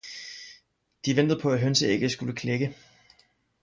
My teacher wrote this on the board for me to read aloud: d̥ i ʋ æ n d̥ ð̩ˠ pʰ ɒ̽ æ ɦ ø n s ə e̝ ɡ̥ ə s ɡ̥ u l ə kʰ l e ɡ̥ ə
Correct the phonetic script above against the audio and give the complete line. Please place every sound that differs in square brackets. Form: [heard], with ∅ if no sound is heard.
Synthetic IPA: d̥ i ʋ [e] n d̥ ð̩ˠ pʰ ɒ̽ æ ɦ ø n s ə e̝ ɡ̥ ə s ɡ̥ u l ə kʰ l e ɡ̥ ə